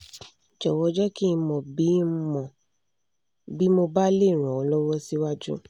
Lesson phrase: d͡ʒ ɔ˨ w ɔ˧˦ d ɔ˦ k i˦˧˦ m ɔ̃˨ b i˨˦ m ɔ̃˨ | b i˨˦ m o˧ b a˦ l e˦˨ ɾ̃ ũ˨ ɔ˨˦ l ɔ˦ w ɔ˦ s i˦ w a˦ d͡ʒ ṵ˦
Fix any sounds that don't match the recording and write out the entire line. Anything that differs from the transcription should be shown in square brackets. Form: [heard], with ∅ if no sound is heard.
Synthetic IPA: d͡ʒ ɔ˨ w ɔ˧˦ [d͡ʒ] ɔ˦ k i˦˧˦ m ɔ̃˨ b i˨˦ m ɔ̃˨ | b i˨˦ m o˧ b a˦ l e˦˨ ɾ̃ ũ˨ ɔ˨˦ l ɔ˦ w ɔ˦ s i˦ w a˦ d͡ʒ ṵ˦